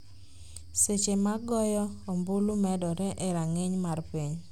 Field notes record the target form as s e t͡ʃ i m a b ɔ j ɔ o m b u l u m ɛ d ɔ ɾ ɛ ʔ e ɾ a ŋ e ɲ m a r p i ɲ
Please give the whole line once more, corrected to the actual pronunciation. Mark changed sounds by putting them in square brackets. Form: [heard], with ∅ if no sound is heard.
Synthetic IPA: s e t͡ʃ [e] m a [ɡ] ɔ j ɔ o m b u l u m ɛ d ɔ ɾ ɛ ʔ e ɾ a ŋ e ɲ m a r p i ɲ